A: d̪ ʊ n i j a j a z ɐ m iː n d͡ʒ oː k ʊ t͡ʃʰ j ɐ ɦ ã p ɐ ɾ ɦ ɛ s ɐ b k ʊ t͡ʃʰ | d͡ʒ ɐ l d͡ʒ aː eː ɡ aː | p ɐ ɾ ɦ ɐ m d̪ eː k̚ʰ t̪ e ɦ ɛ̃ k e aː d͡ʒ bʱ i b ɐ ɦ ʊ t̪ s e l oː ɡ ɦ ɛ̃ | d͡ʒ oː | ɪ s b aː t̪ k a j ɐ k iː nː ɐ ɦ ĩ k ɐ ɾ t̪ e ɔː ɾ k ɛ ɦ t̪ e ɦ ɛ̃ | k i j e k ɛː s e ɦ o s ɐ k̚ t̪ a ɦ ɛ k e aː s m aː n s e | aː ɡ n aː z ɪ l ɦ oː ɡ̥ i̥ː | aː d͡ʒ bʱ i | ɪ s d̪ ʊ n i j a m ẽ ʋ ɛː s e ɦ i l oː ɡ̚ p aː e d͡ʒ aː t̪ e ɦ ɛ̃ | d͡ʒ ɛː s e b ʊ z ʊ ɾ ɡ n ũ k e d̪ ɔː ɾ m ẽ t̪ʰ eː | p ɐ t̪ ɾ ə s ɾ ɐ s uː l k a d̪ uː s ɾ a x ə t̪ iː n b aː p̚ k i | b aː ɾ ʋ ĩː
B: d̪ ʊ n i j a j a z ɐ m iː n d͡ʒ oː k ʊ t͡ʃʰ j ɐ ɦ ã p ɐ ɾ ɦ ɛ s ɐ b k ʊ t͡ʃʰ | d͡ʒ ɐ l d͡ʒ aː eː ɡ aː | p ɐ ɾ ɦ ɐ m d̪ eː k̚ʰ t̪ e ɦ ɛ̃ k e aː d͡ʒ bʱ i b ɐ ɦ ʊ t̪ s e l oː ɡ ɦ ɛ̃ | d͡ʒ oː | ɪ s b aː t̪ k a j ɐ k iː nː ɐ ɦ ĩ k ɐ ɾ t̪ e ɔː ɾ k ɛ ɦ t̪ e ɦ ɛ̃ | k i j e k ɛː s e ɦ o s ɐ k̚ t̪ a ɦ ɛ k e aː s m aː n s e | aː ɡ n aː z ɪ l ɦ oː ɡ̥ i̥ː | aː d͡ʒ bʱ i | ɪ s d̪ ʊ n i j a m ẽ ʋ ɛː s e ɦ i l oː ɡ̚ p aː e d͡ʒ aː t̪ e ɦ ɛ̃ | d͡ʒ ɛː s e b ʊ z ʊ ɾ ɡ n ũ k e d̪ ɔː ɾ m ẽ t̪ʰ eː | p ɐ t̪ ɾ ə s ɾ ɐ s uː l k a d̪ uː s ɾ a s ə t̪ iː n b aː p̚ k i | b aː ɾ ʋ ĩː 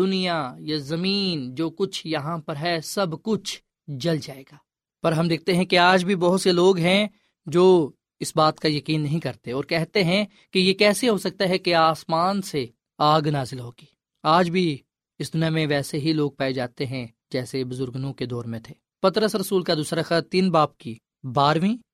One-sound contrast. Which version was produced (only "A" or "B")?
A